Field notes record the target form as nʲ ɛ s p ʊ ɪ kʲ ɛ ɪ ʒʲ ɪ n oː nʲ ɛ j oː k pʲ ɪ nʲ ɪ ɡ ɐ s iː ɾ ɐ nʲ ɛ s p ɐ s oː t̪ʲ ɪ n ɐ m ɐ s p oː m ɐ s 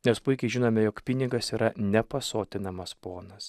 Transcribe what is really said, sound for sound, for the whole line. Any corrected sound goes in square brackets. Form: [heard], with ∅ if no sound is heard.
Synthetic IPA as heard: nʲ ɛ s p ʊ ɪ kʲ ɛ ɪ ʒʲ ɪ n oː [mʲ] ɛ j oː k pʲ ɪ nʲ ɪ ɡ ɐ s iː ɾ ɐ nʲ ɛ [∅] p ɐ s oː t̪ʲ ɪ n ɐ m ɐ s p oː [n] ɐ s